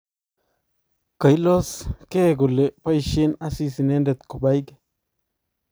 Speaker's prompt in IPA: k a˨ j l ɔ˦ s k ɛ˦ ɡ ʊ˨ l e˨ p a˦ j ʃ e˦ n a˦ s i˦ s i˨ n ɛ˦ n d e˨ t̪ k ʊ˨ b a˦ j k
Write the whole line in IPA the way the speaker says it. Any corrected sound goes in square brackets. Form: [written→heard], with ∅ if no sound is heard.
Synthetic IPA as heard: k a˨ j l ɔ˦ s k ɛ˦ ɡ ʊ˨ l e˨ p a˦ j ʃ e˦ n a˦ s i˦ s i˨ n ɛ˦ n d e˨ t̪ k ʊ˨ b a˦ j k